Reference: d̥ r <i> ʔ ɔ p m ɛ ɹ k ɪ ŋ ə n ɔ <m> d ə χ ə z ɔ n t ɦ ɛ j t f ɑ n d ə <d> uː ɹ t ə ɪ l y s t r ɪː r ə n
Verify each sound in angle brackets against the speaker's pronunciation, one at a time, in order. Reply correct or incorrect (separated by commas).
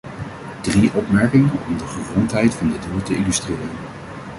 correct, correct, correct